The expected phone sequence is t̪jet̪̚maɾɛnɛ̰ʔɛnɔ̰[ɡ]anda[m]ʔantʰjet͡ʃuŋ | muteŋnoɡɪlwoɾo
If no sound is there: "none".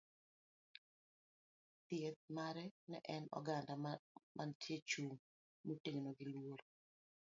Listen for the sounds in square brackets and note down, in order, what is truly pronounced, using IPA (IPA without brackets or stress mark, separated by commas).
ɡ, m